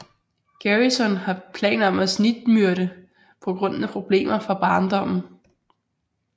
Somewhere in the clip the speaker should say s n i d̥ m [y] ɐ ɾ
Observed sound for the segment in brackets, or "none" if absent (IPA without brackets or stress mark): y